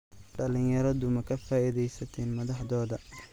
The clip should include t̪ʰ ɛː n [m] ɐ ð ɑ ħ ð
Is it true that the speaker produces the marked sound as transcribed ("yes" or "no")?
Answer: yes